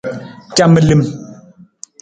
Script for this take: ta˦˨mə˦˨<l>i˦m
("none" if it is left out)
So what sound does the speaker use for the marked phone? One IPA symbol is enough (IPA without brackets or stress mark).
l